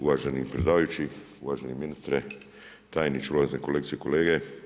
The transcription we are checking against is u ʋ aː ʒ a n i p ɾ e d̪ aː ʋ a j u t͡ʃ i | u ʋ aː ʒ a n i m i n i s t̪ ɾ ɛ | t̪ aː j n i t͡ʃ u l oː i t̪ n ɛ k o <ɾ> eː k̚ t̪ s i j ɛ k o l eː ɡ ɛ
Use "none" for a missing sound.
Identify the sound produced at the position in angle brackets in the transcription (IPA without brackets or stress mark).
l